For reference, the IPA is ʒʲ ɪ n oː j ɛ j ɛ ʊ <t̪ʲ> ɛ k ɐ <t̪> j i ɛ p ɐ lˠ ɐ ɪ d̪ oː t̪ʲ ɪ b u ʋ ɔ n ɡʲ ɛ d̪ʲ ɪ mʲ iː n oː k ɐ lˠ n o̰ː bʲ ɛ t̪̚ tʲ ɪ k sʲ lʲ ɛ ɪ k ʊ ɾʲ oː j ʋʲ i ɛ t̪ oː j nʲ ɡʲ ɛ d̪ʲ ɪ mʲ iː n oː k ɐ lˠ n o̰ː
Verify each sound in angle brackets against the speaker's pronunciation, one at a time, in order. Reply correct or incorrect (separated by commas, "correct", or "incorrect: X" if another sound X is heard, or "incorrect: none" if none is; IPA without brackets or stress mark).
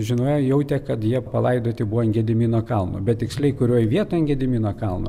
correct, correct